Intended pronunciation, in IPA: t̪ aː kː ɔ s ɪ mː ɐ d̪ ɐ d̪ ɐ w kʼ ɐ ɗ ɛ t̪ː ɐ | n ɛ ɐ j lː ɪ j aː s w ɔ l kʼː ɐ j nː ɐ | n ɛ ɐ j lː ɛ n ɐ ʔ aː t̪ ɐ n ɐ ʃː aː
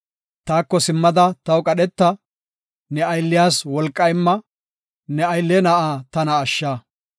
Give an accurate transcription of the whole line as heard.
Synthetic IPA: t̪ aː kː ɔ s ɪ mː ɐ d̪ ɐ t̪ ɐ w kʼ ɐ ɗ ɛ t̪ː ɐ | n ɛ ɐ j lː ɪ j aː s w ɔ l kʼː ɐ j mː ɐ | n ɛ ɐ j lː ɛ n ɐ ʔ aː t̪ ɐ n ɐː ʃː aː